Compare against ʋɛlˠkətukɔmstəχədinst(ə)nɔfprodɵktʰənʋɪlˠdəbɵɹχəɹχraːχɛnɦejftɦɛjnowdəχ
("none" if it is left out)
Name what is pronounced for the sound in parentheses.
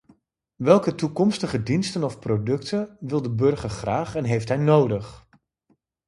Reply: ə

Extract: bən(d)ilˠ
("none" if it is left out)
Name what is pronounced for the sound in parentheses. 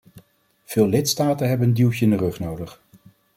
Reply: d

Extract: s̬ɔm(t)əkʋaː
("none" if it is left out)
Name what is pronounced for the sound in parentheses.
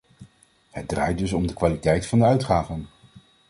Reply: d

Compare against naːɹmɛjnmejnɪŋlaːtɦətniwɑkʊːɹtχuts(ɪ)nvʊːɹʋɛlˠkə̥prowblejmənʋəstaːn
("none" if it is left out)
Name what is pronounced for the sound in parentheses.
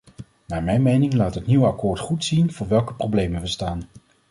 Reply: i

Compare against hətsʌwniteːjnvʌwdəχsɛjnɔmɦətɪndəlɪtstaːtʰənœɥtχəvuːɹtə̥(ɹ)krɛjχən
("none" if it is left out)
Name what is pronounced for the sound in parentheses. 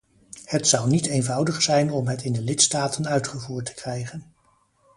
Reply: none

